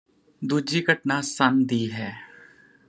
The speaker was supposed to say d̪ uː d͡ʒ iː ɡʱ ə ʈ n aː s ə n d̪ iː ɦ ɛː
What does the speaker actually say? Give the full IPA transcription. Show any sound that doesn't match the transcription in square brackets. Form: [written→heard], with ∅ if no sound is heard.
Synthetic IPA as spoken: d̪ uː d͡ʒ iː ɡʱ ə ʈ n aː s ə n d̪ iː ɦ ɛː